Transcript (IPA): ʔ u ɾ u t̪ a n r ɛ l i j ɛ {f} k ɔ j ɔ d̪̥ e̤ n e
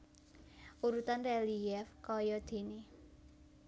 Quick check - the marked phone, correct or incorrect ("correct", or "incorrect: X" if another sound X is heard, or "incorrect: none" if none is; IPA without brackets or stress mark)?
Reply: correct